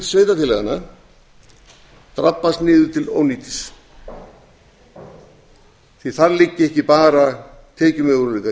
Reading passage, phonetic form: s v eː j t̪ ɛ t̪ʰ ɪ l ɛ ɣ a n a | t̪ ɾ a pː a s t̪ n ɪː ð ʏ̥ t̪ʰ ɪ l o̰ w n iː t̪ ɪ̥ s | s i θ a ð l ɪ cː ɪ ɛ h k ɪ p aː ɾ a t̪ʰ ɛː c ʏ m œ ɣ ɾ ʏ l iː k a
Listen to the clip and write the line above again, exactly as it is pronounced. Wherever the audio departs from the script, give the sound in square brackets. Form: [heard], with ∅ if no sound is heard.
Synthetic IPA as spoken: s v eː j t̪ [a] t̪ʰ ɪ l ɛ ɣ a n a | t̪ ɾ a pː a s t̪ n ɪː ð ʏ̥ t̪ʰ ɪ l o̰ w n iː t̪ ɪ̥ s | [θ] i θ a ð l ɪ cː ɪ ɛ h [c] ɪ p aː ɾ a t̪ʰ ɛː c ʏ m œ ɣ ɾ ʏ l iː k a